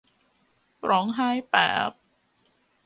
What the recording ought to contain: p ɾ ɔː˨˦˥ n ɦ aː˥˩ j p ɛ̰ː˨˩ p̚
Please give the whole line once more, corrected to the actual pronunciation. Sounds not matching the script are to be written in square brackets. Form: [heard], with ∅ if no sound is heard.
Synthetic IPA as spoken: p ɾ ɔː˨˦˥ [ŋ] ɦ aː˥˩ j p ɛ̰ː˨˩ p̚